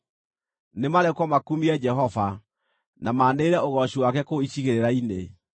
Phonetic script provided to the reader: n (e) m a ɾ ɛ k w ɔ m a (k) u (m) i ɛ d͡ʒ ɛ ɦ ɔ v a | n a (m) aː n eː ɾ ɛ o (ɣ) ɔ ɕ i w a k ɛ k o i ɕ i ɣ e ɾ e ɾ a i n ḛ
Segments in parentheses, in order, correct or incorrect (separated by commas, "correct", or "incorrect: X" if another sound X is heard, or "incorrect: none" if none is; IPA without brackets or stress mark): correct, correct, correct, correct, correct